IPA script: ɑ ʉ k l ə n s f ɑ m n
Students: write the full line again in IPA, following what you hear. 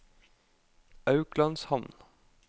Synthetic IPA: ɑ ʉ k l ɑ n s h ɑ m n